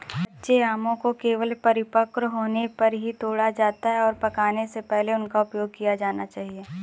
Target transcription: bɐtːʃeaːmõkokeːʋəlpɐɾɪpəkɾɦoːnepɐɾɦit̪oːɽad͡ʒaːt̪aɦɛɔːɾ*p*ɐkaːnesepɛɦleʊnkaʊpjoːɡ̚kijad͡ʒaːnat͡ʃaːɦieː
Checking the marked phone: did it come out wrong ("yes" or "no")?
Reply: no